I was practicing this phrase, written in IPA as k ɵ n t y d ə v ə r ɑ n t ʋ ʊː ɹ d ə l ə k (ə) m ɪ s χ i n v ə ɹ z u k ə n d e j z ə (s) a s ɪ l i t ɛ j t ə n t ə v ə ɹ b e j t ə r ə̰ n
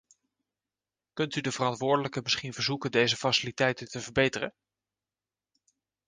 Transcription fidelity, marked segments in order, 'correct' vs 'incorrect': correct, incorrect: f

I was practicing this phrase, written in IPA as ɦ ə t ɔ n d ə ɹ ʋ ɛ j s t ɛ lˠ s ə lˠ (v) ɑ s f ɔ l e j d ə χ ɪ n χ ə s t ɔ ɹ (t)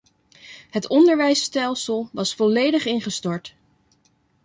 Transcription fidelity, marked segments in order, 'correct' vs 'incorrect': incorrect: ʋ, correct

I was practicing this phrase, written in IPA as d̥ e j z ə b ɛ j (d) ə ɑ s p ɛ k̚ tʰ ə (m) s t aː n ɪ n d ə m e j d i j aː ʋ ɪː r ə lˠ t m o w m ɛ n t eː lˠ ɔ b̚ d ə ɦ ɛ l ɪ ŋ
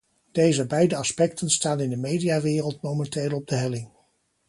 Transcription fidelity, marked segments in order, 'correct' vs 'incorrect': correct, incorrect: n

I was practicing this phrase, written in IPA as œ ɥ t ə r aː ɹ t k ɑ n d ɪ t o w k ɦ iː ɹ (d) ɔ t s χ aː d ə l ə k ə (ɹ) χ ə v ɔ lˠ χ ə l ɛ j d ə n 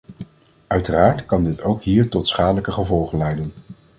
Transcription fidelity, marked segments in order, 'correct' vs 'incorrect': incorrect: t, incorrect: none

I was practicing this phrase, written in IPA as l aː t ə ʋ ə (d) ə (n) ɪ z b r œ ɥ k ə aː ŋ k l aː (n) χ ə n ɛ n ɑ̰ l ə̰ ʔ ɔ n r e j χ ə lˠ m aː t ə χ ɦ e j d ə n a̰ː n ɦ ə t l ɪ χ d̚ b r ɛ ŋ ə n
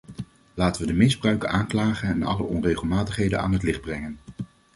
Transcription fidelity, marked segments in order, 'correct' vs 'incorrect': correct, incorrect: m, incorrect: none

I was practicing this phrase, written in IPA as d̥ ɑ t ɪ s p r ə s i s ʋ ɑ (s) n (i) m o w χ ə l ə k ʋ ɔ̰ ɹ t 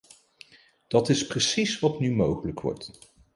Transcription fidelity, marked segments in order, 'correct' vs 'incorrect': incorrect: t, incorrect: y

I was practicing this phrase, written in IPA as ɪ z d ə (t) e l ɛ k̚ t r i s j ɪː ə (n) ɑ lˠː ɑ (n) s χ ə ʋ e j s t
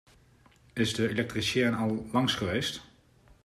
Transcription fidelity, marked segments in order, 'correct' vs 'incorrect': incorrect: none, correct, incorrect: ŋ

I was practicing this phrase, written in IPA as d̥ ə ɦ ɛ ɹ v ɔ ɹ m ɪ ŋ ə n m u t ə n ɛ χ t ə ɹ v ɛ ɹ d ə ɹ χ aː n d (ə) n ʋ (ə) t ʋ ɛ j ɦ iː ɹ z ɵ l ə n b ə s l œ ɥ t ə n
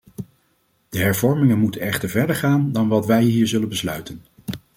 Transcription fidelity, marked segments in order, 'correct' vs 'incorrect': incorrect: ɑ, incorrect: ɑ

